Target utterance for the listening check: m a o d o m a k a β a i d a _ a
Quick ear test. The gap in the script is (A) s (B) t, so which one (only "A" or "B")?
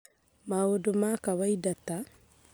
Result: B